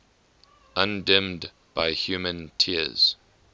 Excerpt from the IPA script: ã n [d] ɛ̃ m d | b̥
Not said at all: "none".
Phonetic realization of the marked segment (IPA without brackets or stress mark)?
d